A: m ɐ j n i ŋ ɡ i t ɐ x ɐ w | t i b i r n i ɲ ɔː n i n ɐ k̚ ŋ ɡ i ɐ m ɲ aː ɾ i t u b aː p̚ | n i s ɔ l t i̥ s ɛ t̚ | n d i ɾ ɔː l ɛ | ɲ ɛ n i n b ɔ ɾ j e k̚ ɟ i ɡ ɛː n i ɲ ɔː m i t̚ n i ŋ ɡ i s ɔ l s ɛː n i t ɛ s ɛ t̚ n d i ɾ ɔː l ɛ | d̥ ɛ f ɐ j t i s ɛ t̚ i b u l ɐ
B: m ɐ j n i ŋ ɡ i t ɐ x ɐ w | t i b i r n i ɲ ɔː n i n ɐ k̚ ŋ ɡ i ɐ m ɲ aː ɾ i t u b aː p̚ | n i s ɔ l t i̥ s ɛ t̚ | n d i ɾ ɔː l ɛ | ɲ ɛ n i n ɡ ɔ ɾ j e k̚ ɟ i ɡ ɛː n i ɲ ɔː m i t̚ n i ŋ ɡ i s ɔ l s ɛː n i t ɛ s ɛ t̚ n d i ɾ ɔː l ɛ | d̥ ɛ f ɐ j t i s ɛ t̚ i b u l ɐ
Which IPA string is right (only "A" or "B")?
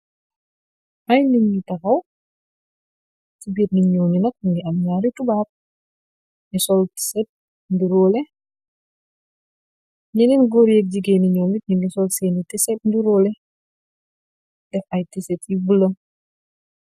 B